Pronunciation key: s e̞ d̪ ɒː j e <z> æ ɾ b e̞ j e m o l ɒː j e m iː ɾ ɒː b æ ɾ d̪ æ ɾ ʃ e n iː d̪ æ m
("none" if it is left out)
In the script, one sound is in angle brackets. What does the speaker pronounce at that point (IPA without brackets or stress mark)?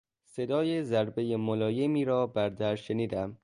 z